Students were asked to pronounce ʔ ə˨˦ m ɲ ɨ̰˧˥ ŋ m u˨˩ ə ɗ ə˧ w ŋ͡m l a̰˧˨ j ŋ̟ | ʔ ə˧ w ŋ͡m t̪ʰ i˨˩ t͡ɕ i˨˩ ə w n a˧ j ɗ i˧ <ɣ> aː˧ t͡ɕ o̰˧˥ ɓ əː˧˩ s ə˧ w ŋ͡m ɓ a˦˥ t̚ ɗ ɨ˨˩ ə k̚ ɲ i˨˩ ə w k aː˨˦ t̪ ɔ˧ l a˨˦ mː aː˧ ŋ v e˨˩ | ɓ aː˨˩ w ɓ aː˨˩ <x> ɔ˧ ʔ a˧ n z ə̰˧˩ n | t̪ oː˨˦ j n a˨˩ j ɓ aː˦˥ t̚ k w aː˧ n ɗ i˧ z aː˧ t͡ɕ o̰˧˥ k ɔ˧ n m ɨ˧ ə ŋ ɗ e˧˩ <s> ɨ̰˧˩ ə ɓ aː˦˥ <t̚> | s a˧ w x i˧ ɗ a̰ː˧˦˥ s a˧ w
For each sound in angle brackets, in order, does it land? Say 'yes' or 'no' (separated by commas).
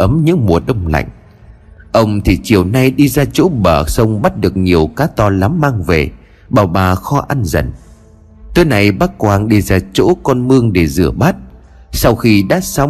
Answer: no, yes, no, yes